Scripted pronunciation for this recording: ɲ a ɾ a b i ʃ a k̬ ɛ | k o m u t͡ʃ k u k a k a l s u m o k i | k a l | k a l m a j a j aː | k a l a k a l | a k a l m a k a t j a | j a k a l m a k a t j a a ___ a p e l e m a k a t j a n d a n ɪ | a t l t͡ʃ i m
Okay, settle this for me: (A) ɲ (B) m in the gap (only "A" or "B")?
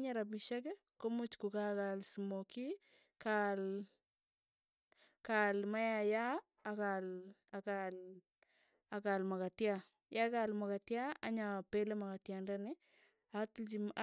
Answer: A